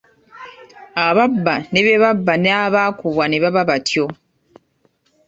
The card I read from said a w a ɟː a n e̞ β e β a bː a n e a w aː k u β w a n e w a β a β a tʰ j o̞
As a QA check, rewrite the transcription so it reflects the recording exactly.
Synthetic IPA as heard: a β a bː a n e̞ β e β a bː a n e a β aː k u β w a n e β a β a β a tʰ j o̞